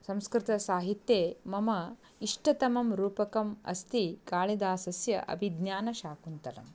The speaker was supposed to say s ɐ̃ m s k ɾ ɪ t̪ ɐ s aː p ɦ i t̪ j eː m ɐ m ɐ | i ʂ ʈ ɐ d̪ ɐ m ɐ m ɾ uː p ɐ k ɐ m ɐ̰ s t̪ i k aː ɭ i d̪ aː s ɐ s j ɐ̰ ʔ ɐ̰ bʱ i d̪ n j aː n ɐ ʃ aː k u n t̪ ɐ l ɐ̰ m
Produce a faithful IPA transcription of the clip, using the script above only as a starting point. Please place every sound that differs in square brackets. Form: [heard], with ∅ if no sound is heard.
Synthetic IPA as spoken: s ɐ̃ m s k ɾ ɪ t̪ ɐ s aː [∅] ɦ i t̪ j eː m ɐ m ɐ | i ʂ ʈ ɐ [t̪] ɐ m ɐ m ɾ uː p ɐ k ɐ m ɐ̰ s t̪ i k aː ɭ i d̪ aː s ɐ s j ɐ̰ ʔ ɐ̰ bʱ i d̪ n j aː n ɐ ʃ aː k u n t̪ ɐ l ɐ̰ m